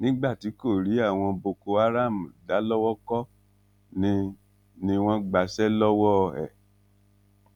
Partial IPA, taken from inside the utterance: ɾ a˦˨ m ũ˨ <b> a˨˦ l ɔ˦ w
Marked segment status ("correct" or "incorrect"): incorrect